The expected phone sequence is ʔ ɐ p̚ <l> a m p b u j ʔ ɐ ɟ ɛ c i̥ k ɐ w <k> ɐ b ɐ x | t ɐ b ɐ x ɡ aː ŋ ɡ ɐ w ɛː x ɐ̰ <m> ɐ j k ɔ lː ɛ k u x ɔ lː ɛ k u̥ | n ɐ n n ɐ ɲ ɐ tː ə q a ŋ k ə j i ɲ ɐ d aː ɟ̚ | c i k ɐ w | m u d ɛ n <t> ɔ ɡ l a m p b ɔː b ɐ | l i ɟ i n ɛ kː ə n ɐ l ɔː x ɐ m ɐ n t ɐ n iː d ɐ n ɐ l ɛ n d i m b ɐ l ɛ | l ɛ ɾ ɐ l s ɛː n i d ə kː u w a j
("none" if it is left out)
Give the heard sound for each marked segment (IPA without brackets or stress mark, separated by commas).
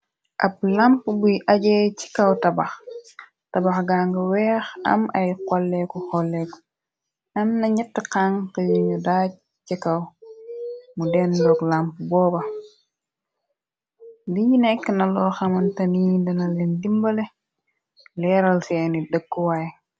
l, t, m, d